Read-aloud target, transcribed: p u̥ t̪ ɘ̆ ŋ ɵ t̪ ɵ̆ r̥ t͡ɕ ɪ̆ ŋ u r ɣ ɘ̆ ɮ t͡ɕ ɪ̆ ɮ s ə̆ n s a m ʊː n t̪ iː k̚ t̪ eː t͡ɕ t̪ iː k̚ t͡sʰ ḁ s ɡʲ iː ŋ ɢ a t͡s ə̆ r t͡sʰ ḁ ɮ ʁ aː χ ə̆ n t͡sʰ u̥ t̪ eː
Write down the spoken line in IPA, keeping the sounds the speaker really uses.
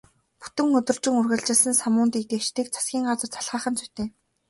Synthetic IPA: p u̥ t̪ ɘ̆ ŋ ɵ t̪ ɵ̆ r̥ t͡ɕ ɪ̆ ŋ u r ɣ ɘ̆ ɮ t͡ɕ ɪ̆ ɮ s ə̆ n s a m ʊː n t̪ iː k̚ t̪ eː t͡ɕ t̪ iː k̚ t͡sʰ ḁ s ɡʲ iː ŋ ɢ a t͡s ə̆ r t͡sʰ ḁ ɮ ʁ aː χ ə̆ n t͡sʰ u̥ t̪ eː